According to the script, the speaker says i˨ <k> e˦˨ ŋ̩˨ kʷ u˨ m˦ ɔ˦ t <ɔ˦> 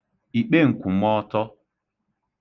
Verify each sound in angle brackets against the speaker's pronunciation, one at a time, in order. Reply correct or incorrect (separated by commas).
incorrect, correct